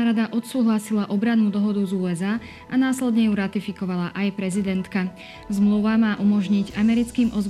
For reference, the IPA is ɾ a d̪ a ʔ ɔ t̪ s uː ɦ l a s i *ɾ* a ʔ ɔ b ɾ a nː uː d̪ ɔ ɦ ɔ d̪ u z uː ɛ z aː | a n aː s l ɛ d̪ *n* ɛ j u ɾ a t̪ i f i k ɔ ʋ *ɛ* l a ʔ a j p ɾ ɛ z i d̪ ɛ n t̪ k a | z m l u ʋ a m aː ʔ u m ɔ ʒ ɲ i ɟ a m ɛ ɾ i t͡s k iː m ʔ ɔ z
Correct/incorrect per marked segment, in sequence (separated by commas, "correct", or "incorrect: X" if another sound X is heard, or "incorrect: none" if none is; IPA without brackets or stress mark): incorrect: l, incorrect: ɲ, incorrect: a